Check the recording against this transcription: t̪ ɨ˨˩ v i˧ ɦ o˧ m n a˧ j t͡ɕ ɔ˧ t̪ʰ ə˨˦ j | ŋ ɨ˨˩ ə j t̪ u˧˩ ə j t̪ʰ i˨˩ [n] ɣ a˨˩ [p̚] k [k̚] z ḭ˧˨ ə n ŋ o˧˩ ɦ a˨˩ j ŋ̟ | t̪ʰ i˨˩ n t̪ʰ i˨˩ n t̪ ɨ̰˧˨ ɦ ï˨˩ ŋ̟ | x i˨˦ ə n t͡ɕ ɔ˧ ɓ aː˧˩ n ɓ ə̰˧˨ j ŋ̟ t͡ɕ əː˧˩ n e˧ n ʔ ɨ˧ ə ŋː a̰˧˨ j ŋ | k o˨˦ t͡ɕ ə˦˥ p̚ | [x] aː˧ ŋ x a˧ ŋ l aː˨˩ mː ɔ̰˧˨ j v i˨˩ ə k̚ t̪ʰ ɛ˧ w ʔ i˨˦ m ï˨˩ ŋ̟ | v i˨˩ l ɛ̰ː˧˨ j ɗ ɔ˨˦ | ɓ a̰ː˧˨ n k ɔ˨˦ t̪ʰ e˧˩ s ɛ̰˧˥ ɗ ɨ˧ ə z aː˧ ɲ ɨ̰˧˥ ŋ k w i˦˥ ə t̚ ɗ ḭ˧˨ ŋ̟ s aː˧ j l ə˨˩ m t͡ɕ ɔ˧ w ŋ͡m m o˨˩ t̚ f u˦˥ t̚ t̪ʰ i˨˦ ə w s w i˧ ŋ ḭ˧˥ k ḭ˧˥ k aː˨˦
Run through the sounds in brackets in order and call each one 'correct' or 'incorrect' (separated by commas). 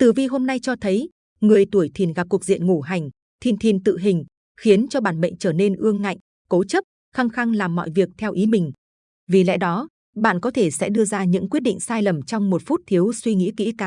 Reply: correct, correct, correct, correct